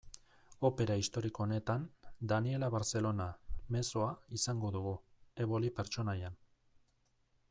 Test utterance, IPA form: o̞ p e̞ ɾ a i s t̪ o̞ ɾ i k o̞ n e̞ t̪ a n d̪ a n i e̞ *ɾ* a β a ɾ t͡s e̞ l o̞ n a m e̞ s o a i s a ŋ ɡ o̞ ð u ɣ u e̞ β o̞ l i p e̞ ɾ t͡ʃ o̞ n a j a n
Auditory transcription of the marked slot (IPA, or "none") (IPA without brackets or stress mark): l